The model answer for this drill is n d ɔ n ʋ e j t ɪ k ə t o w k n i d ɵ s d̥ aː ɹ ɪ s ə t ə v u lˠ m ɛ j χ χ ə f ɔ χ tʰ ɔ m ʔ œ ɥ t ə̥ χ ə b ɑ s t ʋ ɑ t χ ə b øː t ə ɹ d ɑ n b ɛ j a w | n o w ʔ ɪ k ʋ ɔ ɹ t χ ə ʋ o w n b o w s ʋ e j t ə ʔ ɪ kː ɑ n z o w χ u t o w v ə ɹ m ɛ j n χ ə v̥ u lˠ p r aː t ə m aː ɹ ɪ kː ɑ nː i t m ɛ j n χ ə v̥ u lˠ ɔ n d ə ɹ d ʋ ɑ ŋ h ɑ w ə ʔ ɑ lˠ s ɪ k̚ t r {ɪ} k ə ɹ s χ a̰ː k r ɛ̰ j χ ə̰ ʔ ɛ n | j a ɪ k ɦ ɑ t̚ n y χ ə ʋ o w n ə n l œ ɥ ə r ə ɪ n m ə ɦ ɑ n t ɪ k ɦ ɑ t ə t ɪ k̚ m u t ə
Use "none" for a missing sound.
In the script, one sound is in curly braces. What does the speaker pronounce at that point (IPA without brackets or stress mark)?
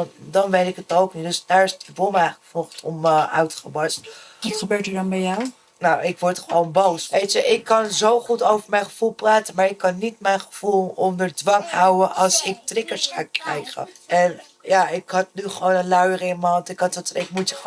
ɪ